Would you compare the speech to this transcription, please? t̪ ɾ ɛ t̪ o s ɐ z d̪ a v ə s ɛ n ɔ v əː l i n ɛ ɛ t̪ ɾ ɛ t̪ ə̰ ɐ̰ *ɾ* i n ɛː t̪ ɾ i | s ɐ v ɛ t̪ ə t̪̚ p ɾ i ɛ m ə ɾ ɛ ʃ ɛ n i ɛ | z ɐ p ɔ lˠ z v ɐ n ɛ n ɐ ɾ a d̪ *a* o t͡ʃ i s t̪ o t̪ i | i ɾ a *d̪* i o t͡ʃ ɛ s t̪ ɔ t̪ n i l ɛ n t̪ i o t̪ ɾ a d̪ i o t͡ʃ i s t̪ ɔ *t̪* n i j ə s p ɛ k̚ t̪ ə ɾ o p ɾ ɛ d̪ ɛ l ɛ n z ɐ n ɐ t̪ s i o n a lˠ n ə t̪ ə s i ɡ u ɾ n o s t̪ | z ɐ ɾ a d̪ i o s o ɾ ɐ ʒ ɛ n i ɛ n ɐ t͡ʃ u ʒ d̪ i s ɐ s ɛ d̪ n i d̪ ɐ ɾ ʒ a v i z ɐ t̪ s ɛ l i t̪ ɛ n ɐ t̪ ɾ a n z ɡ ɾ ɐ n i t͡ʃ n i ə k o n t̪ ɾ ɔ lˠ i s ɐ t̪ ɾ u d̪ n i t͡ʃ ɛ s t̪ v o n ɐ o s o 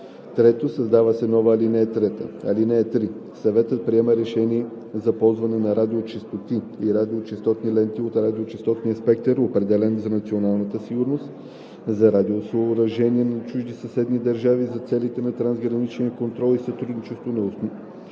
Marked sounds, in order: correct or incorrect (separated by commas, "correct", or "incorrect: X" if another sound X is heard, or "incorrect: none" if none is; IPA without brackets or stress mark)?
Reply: incorrect: l, incorrect: i, correct, correct